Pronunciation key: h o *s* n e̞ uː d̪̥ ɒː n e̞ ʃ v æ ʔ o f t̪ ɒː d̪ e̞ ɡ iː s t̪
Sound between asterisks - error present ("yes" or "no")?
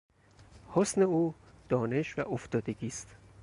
no